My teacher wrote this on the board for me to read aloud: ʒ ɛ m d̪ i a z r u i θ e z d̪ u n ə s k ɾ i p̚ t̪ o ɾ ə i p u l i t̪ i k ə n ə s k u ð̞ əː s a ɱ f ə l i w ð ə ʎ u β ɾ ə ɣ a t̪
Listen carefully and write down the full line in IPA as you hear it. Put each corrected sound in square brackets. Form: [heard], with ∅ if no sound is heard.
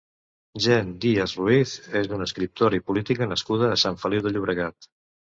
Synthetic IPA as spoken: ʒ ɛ [n] d̪ i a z r u i θ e z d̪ u n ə s k ɾ i p̚ t̪ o ɾ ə i p u l i t̪ i k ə n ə s k u ð̞ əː s a ɱ f ə l i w ð ə ʎ u β ɾ ə ɣ a t̪